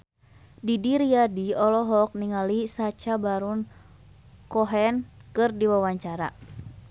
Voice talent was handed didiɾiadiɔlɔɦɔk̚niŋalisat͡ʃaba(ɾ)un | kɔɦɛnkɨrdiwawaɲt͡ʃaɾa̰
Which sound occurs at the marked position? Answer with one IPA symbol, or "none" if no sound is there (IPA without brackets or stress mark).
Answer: ɾ